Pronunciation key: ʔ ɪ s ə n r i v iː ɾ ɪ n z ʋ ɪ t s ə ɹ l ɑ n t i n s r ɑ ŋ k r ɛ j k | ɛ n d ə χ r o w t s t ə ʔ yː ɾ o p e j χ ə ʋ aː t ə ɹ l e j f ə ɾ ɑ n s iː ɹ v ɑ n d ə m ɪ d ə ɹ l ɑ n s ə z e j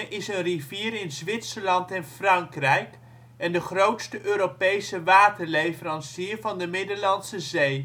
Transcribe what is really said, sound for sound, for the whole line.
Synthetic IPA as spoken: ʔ ɪ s ə n r i v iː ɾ ɪ n z ʋ ɪ t s ə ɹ l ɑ n t ɛ n f r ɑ ŋ k r ɛ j k | ɛ n d ə χ r o w t s t ə ʔ øː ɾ o p e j s ə ʋ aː t ə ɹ l e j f ə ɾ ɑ n s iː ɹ v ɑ n d ə m ɪ d ə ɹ l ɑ n s ə z e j